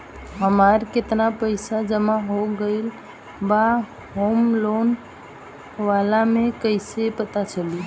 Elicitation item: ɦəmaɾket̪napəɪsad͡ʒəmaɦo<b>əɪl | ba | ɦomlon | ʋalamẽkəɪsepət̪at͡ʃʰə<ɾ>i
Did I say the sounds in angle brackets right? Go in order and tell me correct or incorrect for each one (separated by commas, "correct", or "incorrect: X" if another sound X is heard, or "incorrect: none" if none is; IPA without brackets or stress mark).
incorrect: ɡ, incorrect: l